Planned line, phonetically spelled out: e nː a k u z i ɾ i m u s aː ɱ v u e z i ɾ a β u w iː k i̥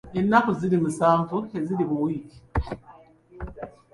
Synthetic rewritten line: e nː a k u z i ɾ i m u s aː ɱ v u e z i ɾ i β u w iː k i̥